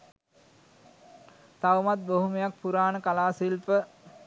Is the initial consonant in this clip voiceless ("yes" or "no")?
yes